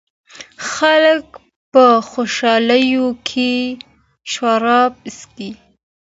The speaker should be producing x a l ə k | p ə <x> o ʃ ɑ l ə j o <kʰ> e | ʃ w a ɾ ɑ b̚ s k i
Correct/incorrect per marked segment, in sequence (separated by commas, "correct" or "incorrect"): correct, correct